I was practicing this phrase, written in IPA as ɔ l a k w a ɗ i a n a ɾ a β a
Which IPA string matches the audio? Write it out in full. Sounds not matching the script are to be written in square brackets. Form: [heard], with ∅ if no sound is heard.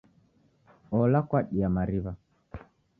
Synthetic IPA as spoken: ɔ l a k w a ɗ i a [m] a ɾ [i] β a